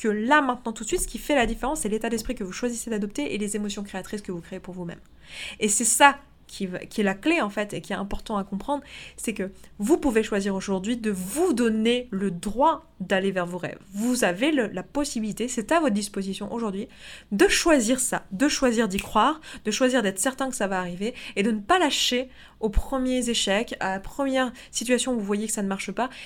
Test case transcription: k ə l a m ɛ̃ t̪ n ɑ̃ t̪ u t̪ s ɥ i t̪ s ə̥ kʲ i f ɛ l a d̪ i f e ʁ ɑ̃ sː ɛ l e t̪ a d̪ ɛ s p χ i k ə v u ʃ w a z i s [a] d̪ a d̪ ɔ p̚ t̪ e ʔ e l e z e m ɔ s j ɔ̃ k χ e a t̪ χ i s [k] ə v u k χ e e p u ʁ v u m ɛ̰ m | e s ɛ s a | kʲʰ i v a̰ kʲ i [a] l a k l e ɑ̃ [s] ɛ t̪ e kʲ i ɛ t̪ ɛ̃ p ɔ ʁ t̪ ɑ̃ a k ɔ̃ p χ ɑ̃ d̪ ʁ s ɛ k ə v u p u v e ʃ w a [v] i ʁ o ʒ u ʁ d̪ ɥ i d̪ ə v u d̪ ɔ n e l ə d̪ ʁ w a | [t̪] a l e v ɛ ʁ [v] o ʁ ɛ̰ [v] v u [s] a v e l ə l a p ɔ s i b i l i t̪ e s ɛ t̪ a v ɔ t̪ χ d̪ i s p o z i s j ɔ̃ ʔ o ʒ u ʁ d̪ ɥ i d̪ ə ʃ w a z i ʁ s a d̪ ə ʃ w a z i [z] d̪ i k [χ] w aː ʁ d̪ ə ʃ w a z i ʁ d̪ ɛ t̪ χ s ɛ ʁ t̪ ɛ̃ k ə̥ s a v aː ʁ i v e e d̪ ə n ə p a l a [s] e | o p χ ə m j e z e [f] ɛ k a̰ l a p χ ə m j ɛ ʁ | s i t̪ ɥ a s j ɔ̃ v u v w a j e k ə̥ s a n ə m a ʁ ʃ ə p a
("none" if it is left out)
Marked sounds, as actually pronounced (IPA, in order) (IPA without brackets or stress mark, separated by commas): e, k, ɛ, f, z, d̪, v, v, z, ʁ, χ, ʃ, ʃ